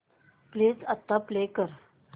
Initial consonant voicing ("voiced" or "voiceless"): voiceless